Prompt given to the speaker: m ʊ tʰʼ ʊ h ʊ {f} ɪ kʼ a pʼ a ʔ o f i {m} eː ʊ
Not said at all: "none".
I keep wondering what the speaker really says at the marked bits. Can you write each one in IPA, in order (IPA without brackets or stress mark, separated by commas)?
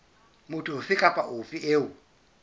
f, none